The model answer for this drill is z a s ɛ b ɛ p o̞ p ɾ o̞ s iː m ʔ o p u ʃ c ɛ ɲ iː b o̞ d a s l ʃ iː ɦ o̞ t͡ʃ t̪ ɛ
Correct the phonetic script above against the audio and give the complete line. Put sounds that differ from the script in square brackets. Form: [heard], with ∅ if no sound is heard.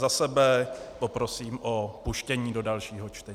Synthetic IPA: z a s ɛ b ɛ p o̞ p ɾ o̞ s iː m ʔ o p u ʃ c ɛ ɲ iː [d] o̞ d a [∅] l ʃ iː ɦ o̞ t͡ʃ t̪ ɛ